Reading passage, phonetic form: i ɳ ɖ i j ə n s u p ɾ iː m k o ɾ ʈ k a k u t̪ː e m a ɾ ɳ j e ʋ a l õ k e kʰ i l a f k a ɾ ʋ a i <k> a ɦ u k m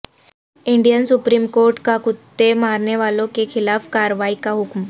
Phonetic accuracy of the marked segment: correct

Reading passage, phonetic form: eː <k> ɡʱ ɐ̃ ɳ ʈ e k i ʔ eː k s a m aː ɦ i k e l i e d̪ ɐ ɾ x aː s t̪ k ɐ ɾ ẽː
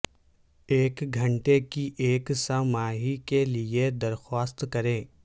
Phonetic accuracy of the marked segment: correct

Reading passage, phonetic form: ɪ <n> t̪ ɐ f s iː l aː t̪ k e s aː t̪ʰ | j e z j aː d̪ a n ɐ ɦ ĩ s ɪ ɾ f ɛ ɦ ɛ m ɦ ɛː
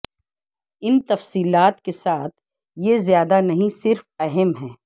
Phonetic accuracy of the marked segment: correct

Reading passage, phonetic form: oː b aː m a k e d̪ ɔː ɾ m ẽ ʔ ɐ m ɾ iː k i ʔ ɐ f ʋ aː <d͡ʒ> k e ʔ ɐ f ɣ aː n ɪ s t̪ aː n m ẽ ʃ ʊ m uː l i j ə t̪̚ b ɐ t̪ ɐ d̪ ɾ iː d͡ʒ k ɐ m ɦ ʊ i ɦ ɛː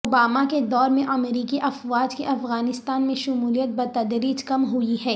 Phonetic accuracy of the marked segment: correct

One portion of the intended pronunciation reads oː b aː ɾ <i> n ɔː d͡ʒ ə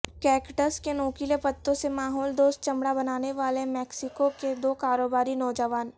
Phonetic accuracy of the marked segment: correct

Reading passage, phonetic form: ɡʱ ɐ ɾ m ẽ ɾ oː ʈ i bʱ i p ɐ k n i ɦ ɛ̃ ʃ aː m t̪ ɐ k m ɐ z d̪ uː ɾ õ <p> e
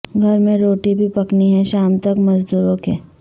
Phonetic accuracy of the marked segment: incorrect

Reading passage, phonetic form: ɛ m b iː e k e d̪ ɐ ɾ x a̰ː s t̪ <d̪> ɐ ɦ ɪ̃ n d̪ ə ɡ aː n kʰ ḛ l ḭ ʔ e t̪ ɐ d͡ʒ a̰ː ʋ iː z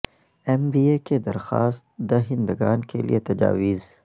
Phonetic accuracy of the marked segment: correct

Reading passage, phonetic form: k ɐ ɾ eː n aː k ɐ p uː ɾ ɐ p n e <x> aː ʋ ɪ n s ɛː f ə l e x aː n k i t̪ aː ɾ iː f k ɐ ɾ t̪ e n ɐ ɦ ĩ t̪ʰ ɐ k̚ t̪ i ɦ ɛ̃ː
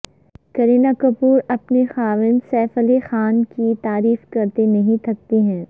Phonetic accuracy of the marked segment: correct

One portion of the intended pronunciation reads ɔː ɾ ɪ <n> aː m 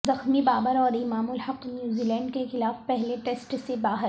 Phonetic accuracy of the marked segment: incorrect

